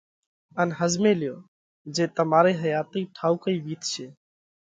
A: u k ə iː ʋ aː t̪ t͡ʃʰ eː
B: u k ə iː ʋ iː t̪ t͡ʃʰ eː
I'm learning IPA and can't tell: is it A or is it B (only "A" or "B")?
B